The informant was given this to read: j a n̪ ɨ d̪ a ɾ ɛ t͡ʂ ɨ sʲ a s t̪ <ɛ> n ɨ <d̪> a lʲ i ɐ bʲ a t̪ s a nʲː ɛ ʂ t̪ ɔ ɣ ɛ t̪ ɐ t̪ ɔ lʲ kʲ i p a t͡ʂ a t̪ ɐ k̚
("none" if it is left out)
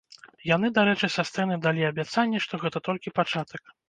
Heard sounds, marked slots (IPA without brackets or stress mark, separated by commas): ɛ, d̪